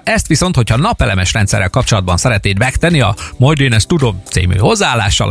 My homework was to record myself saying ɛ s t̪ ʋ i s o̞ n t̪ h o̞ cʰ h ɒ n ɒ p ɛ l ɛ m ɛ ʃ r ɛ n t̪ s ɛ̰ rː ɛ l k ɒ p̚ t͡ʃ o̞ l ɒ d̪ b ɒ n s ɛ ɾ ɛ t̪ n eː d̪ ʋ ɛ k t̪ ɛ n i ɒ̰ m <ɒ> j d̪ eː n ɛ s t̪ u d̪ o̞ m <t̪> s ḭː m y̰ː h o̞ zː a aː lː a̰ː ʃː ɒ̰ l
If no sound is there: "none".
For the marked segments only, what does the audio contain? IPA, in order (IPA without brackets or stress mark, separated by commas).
o, t̪